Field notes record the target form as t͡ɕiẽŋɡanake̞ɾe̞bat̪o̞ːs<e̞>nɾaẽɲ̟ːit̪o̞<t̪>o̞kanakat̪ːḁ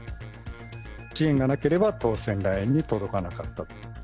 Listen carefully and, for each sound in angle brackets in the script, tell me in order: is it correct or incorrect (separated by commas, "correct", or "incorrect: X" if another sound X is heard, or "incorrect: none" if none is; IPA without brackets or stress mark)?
incorrect: ẽ̞, incorrect: d̪